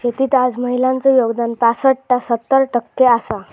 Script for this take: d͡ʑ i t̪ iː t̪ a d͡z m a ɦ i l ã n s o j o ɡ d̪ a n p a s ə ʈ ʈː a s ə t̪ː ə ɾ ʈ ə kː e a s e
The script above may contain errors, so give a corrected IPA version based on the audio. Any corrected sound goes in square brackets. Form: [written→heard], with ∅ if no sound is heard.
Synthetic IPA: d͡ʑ [i→e] t̪ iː t̪ a d͡z m [a→ə] ɦ i l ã n [s→t͡s] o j o ɡ d̪ a n p a s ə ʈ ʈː a s ə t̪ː ə ɾ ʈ ə kː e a s [e→a]